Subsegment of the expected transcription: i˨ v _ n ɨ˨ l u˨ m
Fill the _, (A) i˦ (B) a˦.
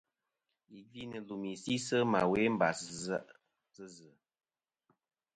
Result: A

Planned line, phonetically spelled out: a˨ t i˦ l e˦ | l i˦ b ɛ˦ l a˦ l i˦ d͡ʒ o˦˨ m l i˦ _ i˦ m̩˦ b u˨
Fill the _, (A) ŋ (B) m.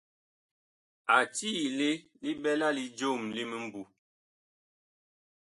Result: B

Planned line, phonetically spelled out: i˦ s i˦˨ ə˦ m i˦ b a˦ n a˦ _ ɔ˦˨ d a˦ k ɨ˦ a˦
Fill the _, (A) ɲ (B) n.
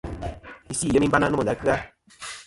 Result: B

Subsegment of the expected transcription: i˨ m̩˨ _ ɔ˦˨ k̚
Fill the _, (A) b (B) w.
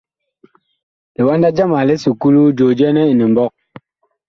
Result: A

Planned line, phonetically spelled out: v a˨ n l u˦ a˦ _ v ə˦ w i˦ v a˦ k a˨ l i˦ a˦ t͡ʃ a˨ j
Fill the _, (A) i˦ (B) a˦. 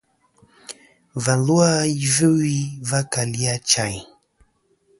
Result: A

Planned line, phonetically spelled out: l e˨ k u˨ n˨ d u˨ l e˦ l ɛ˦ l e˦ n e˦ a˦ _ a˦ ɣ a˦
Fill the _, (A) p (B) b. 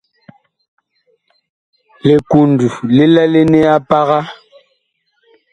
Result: A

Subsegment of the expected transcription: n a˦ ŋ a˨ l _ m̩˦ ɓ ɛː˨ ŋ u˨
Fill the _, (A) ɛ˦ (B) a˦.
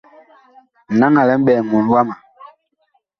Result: A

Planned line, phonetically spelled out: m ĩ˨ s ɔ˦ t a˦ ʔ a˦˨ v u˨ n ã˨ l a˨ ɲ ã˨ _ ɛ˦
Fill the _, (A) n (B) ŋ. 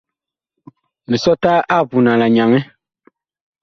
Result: B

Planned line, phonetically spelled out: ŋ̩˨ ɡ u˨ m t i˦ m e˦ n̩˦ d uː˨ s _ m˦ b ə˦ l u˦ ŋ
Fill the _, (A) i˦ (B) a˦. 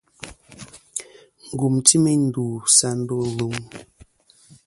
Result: B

